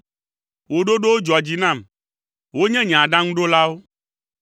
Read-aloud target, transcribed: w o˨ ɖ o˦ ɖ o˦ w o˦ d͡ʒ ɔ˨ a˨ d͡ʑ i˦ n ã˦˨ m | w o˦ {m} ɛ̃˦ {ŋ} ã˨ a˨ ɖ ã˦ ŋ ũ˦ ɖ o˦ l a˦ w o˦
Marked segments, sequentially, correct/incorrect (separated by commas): incorrect, incorrect